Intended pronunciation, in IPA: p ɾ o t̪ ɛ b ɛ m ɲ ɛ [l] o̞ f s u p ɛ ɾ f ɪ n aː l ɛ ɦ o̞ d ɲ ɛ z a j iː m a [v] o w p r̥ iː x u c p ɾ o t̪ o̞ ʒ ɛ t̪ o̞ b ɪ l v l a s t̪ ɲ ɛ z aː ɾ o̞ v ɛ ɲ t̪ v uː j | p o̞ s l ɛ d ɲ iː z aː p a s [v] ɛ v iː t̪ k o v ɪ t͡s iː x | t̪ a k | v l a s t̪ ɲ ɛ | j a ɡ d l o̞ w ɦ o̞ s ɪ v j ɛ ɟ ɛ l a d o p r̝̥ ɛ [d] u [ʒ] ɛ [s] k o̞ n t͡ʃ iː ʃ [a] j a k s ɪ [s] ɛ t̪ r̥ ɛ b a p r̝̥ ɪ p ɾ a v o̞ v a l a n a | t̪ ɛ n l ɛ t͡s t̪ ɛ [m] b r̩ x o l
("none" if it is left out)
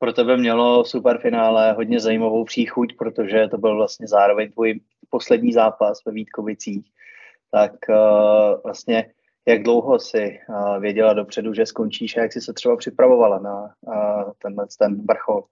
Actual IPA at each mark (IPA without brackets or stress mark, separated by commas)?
l, v, v, d, ʒ, s, a, s, n